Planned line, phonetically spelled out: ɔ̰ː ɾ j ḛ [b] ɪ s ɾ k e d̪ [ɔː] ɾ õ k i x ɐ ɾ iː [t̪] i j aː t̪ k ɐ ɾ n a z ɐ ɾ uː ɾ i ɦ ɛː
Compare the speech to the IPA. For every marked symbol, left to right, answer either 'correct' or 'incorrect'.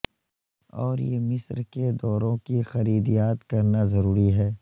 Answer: incorrect, correct, incorrect

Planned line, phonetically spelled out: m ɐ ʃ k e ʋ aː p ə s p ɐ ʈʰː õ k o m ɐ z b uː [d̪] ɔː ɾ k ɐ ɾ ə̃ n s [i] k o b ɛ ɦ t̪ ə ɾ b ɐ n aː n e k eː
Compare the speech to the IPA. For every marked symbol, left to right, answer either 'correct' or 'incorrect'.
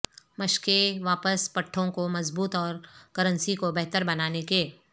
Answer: incorrect, correct

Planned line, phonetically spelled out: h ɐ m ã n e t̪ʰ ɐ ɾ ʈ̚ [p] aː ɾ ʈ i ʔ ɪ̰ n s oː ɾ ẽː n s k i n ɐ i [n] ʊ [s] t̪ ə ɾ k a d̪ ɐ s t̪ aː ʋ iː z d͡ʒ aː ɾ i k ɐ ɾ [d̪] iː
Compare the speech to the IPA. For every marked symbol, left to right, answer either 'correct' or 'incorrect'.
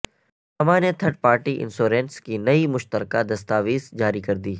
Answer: correct, incorrect, incorrect, correct

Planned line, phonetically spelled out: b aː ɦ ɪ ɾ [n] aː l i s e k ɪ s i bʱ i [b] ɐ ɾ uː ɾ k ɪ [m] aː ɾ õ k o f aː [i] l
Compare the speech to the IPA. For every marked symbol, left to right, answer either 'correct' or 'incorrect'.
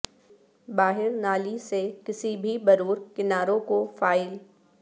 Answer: correct, correct, incorrect, incorrect

